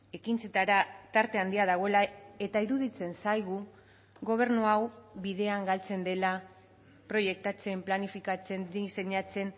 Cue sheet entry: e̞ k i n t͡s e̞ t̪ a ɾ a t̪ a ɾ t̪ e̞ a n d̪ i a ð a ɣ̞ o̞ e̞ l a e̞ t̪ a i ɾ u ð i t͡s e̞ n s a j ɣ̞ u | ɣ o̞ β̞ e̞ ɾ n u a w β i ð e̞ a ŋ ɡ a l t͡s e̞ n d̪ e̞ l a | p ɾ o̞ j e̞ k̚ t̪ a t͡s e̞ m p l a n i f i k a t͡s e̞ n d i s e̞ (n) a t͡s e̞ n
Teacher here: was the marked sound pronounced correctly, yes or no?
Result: no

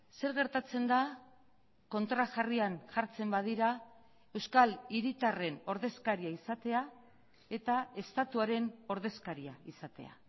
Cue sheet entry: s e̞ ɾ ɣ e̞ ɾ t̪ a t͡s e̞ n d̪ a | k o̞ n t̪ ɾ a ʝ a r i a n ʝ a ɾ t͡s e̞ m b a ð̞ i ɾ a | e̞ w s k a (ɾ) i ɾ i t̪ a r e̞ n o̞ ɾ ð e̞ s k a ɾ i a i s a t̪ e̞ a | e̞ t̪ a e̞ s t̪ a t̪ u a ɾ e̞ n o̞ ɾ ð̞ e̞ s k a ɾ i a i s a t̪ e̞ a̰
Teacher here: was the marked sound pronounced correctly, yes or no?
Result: no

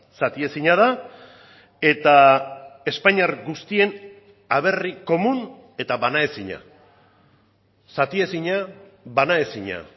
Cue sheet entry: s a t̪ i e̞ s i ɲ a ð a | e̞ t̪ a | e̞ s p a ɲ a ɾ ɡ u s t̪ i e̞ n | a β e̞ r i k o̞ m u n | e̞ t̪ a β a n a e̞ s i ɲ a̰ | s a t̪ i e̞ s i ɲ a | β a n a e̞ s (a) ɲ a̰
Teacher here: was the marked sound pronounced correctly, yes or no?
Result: no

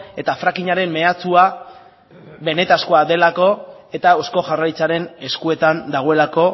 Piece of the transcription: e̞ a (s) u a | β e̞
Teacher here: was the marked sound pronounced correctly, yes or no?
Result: no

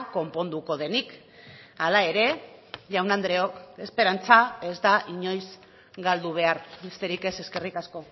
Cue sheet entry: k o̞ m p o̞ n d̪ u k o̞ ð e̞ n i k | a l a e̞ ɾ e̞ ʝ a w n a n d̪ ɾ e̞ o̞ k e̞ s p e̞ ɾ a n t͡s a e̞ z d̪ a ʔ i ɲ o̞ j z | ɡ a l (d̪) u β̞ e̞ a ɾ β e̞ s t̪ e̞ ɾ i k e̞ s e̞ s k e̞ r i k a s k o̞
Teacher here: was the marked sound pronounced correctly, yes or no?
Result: yes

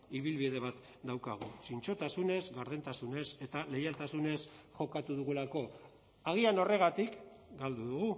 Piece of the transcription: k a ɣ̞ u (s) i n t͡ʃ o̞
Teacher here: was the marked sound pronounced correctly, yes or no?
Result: yes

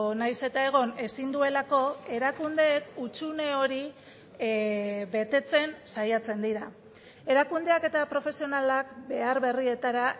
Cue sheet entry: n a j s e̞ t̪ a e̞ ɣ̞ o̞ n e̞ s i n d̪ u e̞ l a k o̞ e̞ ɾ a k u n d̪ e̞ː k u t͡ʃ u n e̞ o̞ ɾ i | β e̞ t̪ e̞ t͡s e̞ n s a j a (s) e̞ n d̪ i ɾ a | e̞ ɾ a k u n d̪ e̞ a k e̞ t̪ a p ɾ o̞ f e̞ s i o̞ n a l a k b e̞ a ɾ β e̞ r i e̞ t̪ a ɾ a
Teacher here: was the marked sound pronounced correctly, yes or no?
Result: no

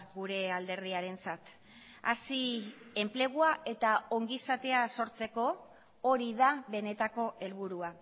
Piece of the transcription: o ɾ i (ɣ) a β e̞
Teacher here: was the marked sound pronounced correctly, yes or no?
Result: no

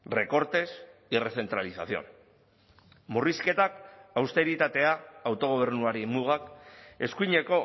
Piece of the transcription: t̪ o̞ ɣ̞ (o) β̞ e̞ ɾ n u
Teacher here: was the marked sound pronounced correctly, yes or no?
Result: yes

